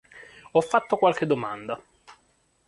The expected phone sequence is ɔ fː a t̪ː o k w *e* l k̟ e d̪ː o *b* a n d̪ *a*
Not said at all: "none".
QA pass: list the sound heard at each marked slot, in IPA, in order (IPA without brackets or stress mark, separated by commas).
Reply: a, m, a